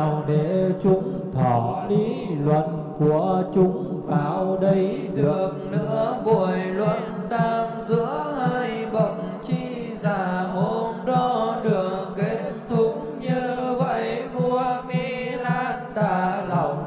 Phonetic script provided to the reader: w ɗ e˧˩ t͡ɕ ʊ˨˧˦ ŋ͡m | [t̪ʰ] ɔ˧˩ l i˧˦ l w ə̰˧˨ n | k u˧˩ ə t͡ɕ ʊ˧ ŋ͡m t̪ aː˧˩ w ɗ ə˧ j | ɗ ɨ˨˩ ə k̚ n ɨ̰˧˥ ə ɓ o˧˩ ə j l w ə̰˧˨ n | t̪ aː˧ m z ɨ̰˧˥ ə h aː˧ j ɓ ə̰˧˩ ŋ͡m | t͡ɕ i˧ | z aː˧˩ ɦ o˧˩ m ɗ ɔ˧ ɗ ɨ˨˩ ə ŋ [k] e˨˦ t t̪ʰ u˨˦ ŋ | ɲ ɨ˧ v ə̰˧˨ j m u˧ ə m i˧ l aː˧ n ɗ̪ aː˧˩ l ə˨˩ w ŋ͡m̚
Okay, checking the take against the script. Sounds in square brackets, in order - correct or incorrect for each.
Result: correct, correct

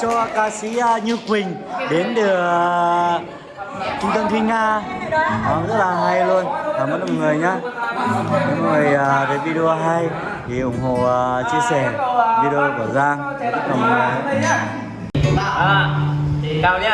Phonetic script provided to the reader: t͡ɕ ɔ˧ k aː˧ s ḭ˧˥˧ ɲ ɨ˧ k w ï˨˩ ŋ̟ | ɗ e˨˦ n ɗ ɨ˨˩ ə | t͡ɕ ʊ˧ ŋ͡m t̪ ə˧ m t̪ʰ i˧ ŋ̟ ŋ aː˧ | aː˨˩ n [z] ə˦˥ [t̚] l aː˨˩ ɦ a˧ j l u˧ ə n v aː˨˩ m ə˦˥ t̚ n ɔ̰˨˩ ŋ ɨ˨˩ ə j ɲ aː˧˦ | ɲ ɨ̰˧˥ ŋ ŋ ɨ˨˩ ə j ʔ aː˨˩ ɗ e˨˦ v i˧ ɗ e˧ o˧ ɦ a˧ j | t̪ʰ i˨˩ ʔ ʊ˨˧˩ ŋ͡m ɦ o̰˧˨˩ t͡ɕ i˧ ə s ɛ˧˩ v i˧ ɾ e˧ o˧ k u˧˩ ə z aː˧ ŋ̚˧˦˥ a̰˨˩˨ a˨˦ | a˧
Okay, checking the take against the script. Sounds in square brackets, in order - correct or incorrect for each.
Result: correct, correct

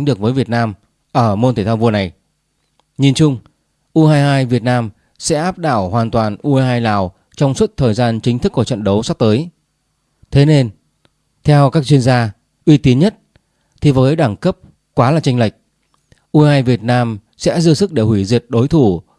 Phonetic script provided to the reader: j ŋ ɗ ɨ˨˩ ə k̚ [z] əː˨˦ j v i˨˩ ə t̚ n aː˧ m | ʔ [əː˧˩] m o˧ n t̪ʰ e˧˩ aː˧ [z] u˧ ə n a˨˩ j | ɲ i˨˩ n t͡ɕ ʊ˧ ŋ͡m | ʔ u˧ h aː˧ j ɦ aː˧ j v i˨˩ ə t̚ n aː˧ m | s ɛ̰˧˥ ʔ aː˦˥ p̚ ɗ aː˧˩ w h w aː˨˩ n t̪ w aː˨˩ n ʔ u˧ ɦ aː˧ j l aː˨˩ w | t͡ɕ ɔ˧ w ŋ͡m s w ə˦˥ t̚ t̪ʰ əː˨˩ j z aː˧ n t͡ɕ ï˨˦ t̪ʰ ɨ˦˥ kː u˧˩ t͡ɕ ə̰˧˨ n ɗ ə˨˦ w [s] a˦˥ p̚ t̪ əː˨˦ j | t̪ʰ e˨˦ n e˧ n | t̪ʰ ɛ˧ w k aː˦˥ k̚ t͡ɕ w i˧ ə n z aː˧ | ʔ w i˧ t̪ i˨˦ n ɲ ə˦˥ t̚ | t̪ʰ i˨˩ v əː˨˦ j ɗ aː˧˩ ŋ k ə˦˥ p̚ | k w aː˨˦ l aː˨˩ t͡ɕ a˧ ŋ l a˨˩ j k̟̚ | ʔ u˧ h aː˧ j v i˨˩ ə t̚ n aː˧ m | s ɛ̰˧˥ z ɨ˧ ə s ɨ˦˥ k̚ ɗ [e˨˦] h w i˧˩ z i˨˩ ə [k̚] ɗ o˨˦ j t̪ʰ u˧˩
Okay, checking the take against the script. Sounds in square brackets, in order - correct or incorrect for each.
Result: incorrect, correct, incorrect, correct, incorrect, incorrect

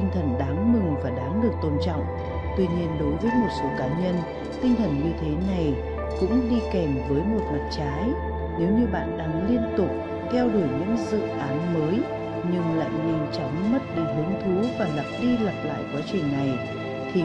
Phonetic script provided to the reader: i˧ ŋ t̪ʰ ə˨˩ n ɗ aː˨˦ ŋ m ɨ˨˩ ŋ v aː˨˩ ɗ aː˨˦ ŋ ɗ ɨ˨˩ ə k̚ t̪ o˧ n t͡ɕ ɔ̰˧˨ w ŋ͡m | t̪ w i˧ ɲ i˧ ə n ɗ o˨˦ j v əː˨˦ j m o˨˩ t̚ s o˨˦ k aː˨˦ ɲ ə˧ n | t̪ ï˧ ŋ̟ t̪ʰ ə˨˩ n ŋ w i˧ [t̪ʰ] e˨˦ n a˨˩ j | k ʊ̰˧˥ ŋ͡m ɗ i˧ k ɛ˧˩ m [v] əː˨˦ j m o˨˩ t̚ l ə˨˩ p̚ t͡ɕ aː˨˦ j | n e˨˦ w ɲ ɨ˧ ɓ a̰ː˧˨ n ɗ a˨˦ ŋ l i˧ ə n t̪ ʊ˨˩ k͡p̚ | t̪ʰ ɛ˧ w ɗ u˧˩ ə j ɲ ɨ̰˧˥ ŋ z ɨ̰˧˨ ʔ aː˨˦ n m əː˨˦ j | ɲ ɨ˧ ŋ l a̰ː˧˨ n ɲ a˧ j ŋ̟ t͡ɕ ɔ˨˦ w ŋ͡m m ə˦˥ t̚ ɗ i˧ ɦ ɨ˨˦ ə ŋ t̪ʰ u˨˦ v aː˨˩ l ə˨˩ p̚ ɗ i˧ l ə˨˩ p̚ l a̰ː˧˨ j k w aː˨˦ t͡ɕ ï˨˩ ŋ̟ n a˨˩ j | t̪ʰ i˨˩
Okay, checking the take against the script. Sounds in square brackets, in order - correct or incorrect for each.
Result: correct, correct

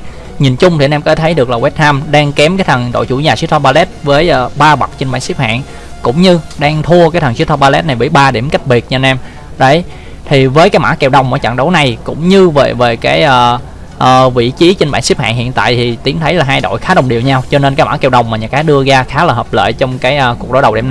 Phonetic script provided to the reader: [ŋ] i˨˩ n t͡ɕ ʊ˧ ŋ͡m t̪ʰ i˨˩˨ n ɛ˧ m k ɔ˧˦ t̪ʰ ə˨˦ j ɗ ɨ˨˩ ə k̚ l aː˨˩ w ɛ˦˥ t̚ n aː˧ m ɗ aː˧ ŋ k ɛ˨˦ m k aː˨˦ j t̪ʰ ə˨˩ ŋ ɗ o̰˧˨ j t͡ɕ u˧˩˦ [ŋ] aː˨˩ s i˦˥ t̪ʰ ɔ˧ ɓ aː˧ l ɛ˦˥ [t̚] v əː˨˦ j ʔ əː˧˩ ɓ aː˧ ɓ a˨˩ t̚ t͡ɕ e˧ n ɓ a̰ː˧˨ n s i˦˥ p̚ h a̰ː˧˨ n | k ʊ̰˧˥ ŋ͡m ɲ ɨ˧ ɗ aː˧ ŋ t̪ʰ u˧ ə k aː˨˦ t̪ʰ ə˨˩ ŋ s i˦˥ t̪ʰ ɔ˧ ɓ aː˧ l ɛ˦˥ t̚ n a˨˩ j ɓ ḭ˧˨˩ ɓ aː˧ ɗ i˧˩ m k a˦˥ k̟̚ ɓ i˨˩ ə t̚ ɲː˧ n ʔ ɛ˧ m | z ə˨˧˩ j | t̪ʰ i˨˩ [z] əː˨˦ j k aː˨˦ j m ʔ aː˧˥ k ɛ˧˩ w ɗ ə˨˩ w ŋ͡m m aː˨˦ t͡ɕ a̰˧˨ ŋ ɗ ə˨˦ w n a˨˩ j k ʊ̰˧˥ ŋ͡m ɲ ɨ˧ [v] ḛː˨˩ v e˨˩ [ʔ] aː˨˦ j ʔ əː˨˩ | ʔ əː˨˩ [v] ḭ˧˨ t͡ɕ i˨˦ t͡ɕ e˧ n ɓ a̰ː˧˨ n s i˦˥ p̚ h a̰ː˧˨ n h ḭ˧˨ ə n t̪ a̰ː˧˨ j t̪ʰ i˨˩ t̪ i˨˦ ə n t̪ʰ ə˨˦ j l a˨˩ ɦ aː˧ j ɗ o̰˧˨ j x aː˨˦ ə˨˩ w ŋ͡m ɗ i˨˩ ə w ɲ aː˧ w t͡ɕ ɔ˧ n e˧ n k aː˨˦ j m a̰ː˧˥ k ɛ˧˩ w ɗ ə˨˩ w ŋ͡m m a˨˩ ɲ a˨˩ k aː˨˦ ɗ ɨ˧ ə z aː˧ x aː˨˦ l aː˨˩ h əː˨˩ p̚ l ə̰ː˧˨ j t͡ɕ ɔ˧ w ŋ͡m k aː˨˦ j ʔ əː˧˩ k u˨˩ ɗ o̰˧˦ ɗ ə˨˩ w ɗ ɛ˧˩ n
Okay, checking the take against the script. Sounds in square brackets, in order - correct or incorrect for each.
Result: incorrect, incorrect, correct, incorrect, correct, incorrect, correct

